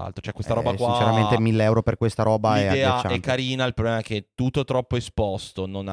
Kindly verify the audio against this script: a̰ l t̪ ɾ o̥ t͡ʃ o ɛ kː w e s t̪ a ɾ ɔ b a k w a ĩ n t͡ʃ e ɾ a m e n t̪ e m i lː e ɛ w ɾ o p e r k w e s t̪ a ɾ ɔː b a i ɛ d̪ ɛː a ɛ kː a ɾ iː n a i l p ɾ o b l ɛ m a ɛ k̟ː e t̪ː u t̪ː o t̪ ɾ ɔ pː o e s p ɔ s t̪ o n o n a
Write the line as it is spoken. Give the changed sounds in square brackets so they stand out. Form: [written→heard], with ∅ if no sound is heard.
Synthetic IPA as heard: a̰ l t̪ ɾ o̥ t͡ʃ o ɛ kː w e s t̪ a ɾ ɔ b a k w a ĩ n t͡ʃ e ɾ a m e n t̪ e m i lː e ɛ w ɾ o p e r k w e s t̪ a ɾ ɔː b a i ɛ d̪ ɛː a ɛ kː a ɾ iː n a i l p ɾ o b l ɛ m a ɛ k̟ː e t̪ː u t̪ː o t̪ ɾ ɔ pː o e s p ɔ s t̪ o n o n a